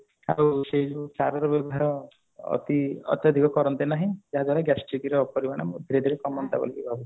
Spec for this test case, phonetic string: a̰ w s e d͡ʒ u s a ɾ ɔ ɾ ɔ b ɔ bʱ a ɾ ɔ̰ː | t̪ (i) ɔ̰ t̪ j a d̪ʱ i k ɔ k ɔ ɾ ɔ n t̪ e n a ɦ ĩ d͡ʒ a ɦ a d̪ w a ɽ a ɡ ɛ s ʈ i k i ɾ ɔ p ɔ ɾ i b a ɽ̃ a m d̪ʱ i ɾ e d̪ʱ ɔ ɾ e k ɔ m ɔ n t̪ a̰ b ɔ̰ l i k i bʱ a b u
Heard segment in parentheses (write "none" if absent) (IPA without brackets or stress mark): i